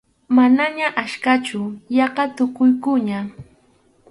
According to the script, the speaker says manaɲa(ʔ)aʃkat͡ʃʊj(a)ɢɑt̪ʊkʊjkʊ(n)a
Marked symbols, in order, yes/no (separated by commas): yes, no, no